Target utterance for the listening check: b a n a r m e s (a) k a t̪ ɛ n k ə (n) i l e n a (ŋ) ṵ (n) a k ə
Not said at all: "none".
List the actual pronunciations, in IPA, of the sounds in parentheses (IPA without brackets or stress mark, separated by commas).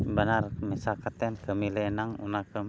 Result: a, m, ŋ, n